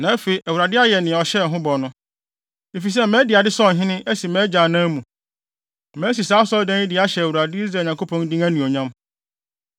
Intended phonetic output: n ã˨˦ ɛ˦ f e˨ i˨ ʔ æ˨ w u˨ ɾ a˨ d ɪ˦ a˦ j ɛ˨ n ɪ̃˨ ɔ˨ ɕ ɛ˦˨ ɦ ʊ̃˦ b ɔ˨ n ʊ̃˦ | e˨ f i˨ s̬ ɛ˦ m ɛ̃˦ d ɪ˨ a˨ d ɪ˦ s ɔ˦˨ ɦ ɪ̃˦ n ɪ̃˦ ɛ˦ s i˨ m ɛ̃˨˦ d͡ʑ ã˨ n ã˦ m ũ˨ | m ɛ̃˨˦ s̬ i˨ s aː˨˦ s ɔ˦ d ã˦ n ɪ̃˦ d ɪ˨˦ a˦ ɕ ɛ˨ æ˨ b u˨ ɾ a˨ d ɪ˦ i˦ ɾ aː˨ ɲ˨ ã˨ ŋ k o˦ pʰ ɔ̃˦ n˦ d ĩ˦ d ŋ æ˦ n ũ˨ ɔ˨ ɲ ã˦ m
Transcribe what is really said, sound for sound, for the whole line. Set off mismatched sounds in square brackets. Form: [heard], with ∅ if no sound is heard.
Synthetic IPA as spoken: n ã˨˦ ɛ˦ f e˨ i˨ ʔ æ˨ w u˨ ɾ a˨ d ɪ˦ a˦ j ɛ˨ n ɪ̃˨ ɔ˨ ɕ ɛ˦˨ ɦ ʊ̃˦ b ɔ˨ n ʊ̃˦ | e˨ f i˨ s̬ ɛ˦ m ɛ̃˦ d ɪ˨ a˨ d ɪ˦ s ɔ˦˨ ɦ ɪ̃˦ n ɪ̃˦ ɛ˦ s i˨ m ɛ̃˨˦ d͡ʑ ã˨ n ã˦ m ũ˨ | m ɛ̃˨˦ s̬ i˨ s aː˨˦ s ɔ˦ d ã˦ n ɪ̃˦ d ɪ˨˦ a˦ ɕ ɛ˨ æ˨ [w] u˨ ɾ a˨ d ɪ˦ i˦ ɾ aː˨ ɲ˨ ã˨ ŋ k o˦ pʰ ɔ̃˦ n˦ d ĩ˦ [∅] ŋ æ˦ n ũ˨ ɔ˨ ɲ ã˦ m